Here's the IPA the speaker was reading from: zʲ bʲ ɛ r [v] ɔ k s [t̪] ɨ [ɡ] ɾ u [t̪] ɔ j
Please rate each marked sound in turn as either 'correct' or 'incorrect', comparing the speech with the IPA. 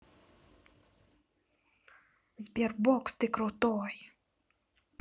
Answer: incorrect, correct, incorrect, correct

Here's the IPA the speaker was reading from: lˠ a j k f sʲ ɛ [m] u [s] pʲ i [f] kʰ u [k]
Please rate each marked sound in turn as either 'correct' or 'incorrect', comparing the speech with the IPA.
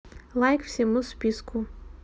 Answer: correct, correct, incorrect, incorrect

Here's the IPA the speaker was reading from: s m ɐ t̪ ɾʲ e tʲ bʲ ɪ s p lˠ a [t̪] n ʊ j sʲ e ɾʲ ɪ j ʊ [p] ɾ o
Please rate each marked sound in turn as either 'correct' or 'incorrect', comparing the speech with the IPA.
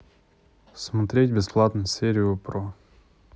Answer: correct, correct

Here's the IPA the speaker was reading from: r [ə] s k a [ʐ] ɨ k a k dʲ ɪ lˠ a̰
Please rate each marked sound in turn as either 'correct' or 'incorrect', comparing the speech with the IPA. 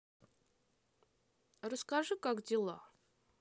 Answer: correct, correct

